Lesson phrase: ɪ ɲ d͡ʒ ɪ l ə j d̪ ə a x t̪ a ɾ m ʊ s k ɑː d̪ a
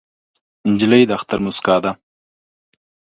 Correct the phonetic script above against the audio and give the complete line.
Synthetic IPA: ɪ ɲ d͡ʒ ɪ l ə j d̪ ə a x t̪ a ɾ m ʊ s k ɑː d̪ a